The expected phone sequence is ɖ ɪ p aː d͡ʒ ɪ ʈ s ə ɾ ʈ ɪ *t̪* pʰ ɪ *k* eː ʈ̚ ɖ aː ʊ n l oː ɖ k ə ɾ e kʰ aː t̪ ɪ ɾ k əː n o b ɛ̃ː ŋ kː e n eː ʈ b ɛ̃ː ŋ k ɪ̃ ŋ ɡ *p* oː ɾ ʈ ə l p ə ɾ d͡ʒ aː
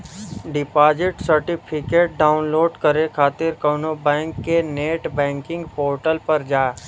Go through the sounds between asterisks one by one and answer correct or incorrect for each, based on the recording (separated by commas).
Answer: incorrect, correct, correct